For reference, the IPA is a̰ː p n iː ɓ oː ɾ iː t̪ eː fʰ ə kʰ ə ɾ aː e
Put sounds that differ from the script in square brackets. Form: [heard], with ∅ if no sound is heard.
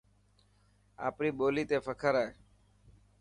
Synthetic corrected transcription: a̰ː p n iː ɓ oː [l] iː t̪ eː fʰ ə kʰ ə ɾ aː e